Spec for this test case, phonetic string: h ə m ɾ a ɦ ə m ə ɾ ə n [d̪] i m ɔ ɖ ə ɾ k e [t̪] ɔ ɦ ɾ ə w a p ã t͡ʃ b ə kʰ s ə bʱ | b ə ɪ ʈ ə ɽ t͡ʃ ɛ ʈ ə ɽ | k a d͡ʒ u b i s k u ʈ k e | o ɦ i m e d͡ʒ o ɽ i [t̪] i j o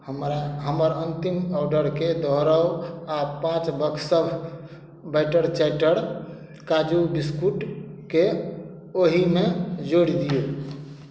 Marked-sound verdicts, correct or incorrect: incorrect: t̪, incorrect: d̪, incorrect: d̪

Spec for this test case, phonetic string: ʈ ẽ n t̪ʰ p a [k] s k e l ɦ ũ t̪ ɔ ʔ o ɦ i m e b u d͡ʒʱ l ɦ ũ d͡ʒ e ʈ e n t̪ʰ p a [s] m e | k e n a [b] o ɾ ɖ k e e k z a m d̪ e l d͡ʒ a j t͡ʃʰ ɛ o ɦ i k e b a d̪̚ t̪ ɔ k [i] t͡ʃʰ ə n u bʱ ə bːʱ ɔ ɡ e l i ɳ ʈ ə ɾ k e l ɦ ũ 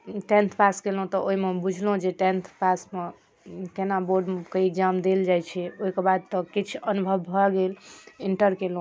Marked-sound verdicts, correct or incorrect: incorrect: none, correct, correct, correct

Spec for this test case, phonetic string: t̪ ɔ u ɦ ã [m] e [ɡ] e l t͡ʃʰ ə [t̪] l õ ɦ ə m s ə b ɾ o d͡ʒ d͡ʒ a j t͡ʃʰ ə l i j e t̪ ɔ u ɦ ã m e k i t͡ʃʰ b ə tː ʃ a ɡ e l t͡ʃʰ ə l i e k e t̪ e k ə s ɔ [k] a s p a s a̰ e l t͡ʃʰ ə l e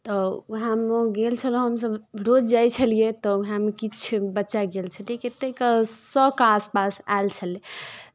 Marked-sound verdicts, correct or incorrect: correct, correct, incorrect: none, correct

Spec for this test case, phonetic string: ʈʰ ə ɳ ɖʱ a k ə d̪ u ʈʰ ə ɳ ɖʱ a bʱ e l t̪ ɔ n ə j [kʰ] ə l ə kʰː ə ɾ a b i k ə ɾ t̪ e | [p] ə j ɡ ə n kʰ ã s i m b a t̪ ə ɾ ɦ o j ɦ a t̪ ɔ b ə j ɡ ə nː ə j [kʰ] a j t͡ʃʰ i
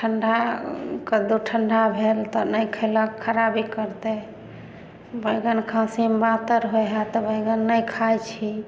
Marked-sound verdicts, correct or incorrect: correct, incorrect: b, correct

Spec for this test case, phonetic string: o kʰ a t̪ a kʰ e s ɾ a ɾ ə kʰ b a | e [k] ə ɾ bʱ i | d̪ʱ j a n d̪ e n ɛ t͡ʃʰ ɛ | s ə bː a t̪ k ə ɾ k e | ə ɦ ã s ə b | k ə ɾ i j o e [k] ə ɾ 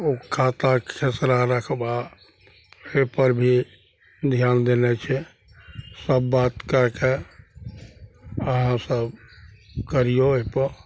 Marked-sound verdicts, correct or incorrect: incorrect: p, incorrect: p

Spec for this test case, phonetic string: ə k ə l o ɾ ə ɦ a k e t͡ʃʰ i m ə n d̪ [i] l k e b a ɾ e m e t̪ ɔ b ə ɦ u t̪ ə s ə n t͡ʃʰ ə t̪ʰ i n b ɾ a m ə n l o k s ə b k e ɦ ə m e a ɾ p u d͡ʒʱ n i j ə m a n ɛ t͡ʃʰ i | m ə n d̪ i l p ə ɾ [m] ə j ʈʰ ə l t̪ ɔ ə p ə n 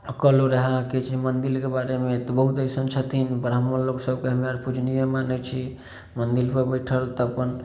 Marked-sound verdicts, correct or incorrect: correct, incorrect: b

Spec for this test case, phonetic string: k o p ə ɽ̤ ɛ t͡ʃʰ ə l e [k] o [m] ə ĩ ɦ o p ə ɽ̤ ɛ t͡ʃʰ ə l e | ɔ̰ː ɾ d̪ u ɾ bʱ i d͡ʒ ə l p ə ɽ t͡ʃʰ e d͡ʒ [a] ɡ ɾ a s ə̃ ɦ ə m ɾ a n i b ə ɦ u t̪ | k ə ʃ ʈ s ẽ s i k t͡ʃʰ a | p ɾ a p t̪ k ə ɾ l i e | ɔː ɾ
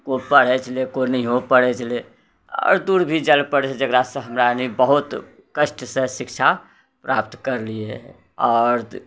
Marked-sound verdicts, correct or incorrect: correct, incorrect: n, incorrect: ə

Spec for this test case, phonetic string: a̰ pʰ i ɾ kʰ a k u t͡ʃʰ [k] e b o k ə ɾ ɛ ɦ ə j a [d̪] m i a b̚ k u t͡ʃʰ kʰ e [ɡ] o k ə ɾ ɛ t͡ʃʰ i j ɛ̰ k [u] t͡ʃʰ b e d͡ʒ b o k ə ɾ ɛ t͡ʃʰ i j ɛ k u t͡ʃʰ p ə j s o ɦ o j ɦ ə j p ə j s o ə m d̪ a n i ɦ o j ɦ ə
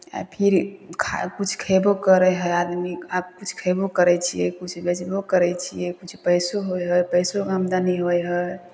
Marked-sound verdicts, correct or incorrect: incorrect: kʰ, correct, incorrect: b, correct

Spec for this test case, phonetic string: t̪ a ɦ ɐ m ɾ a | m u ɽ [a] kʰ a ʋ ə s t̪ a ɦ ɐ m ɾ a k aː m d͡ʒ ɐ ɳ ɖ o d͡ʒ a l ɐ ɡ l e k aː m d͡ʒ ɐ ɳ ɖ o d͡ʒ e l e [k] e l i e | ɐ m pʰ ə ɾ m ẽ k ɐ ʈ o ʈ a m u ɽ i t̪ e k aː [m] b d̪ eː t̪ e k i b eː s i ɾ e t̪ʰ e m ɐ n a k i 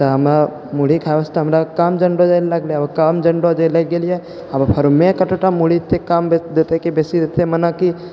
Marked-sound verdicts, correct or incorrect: incorrect: i, incorrect: ɡ, correct

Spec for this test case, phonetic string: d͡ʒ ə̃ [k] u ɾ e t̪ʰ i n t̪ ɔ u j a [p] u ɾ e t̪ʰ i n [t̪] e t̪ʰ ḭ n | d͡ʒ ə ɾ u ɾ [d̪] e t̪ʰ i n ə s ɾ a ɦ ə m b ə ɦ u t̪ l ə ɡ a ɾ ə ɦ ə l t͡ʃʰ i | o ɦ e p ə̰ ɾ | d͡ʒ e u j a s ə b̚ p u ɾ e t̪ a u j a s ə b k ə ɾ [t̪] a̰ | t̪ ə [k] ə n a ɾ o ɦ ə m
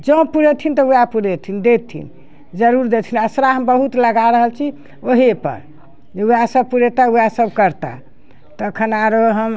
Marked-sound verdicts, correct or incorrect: incorrect: p, correct, incorrect: d̪, correct, correct, incorrect: kʰ

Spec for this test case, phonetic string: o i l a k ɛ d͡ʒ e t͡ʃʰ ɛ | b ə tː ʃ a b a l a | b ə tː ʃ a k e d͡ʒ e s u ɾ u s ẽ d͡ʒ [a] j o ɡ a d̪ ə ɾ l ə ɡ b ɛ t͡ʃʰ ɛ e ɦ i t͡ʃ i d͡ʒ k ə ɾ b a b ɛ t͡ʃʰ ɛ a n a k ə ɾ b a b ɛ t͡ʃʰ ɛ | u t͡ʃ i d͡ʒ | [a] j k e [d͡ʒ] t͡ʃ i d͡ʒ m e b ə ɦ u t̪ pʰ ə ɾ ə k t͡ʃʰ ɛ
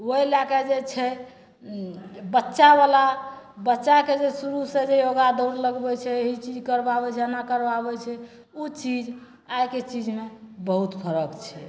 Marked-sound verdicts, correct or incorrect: incorrect: e, correct, incorrect: none

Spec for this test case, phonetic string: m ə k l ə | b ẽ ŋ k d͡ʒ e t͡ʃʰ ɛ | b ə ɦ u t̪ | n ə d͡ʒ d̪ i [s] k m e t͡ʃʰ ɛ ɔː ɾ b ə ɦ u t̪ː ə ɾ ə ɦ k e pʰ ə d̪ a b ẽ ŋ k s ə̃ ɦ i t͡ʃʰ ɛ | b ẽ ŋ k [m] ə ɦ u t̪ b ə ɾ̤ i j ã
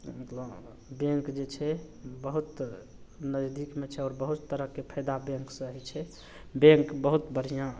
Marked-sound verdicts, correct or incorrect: incorrect: none, incorrect: b

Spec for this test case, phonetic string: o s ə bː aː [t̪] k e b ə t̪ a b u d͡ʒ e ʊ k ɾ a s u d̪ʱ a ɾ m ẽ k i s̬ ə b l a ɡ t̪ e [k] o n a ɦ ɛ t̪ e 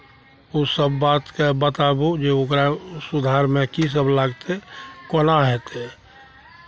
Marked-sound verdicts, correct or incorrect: correct, correct

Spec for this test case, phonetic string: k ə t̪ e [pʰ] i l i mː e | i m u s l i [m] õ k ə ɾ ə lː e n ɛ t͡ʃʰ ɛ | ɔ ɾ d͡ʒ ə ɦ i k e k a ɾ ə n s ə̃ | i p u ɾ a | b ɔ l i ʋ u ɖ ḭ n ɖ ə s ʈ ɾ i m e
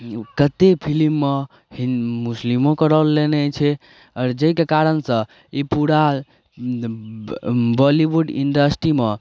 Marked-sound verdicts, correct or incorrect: correct, correct

